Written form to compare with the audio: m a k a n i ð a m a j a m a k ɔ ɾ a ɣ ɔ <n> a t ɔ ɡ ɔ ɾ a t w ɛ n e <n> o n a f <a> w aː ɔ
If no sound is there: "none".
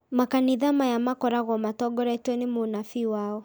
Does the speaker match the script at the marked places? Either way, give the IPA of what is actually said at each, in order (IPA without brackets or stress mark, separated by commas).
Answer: m, m, i